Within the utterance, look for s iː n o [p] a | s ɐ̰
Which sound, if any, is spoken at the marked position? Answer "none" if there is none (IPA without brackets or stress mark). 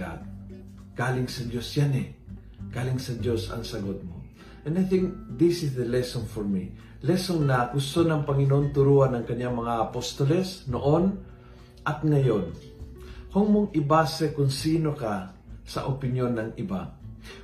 k